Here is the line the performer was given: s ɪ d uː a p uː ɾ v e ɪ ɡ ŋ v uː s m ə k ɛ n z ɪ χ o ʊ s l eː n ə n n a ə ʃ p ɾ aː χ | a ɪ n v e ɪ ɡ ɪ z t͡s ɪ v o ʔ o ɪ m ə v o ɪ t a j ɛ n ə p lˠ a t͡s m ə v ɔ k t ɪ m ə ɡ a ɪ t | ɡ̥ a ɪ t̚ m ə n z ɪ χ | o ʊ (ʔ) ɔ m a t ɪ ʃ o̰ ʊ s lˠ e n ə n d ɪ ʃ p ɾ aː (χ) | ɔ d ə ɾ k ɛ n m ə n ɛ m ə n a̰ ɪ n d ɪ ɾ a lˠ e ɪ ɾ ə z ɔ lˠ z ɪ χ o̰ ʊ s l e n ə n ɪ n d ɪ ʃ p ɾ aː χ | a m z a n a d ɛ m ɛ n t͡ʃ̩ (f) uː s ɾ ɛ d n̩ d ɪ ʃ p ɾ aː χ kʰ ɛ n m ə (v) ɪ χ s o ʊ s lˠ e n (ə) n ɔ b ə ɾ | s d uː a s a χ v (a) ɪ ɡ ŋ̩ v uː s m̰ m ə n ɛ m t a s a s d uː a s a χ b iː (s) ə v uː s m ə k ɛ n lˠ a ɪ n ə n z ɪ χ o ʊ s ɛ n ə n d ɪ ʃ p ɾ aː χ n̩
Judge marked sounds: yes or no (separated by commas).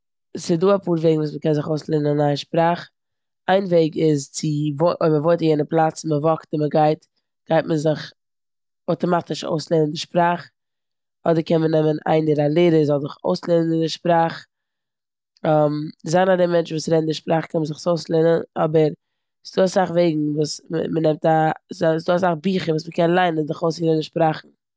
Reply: no, yes, no, no, yes, no, no